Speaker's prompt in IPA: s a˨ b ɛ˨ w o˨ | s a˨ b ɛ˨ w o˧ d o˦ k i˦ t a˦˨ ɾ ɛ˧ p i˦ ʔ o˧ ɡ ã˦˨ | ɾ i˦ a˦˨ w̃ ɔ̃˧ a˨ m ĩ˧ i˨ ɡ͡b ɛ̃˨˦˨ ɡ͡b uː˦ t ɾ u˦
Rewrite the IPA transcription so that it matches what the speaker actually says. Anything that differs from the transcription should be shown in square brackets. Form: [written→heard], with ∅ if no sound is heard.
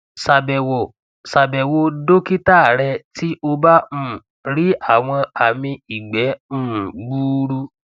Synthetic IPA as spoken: s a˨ b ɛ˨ w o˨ | s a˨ b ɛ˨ w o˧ d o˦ k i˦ t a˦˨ ɾ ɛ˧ [p→t] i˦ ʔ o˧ [ɡ→b] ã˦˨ | ɾ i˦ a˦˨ w̃ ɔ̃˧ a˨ m ĩ˧ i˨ ɡ͡b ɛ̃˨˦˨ ɡ͡b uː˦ [t→∅] ɾ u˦